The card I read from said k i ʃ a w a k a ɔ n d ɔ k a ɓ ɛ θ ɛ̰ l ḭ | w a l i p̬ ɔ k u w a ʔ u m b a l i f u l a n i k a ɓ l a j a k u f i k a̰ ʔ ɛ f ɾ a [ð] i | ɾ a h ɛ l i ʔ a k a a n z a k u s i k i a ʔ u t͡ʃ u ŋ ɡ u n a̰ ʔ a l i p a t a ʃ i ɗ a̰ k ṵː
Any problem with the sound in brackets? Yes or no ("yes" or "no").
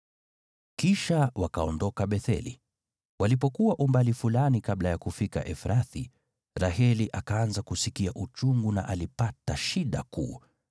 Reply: yes